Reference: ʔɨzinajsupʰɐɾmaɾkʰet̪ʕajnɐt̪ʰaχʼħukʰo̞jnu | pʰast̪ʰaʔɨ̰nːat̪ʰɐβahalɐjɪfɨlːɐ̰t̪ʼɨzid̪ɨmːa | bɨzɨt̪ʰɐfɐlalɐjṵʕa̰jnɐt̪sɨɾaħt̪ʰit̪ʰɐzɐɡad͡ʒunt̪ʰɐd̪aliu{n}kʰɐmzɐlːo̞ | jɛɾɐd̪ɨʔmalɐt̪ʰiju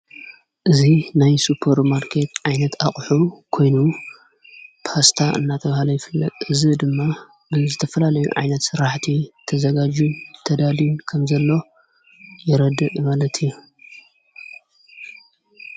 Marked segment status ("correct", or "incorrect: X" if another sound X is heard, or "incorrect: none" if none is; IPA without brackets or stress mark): correct